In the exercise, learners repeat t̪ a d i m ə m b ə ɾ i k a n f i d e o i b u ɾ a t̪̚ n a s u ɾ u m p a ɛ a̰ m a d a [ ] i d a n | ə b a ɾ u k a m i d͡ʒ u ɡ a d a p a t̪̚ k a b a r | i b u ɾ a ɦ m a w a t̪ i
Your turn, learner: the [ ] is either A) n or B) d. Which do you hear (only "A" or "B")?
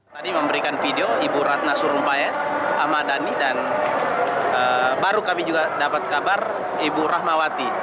A